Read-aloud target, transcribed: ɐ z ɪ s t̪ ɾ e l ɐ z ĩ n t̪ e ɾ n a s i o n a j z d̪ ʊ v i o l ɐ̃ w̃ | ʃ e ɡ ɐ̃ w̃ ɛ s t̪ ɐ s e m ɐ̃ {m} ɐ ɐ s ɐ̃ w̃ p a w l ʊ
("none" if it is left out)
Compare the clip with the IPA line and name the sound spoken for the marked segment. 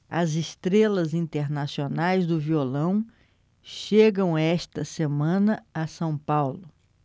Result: n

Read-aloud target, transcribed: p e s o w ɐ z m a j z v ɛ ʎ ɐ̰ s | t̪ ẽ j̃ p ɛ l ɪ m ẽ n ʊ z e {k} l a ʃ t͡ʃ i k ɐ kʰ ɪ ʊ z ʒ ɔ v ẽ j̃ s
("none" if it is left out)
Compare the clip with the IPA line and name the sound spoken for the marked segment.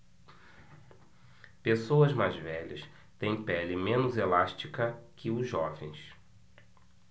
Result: none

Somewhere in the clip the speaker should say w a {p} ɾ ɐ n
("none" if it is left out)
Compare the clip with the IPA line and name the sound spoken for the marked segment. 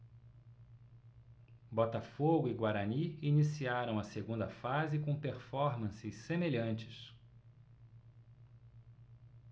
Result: none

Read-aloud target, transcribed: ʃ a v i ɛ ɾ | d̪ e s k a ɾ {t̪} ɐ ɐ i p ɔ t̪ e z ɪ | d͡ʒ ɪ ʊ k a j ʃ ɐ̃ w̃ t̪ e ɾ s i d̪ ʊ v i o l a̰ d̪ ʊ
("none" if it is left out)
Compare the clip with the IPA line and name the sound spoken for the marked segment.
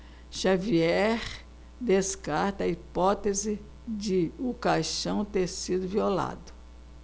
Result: t̪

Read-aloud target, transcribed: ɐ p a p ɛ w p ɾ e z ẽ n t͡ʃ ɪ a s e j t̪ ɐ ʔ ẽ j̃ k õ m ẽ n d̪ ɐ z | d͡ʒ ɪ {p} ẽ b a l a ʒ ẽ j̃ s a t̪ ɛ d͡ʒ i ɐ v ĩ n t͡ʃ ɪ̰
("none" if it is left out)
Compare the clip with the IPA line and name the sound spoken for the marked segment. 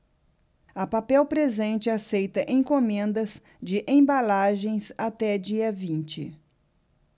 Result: ʔ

